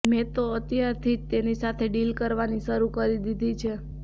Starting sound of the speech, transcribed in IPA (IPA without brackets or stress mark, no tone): m